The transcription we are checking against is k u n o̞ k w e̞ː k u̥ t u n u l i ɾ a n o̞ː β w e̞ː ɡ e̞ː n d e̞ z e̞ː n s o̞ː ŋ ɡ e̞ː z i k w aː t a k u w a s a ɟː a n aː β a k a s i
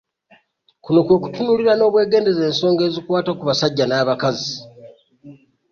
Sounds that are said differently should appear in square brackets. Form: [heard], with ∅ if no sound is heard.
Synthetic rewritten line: k u n o̞ k w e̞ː k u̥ t u n u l i ɾ a n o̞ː β w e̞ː ɡ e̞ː n d e̞ z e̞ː n s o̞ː ŋ ɡ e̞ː z i k w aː t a k u [β] a s a ɟː a n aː β a k a [z] i

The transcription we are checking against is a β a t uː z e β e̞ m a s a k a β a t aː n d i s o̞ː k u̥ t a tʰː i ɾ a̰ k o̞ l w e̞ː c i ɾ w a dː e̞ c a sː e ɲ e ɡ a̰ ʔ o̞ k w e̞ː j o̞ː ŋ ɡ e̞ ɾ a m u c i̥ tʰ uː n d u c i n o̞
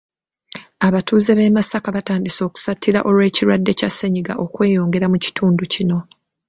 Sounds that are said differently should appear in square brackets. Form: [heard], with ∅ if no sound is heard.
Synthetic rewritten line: a β a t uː z e β e̞ m a s a k a β a t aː n d i s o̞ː k u̥ [s] a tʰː i ɾ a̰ [ʔ] o̞ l w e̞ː c i ɾ w a dː e̞ c a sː e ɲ [i] ɡ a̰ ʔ o̞ k w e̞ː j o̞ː ŋ ɡ e̞ ɾ a m u c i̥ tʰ uː n d u c i n o̞

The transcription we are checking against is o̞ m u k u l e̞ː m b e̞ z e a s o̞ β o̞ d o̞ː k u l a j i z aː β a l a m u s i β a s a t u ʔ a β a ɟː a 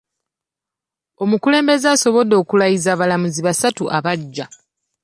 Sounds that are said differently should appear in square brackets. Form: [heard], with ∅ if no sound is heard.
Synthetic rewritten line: o̞ m u k u l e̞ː m b e̞ z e a s o̞ β o̞ d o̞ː k u l a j i z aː β a l a m u [z] i β a s a t u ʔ a β a ɟː a

